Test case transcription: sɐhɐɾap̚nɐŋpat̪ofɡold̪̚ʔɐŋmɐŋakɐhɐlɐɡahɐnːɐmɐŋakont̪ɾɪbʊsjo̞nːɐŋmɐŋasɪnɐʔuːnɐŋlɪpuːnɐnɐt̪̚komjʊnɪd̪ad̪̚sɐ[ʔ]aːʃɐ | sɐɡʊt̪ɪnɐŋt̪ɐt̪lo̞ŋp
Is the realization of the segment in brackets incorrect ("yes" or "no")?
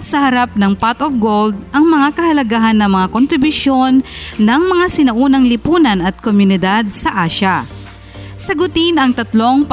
no